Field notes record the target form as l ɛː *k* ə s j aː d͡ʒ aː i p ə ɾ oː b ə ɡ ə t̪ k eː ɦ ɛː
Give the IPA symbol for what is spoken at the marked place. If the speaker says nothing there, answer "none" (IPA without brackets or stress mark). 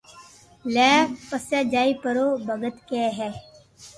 p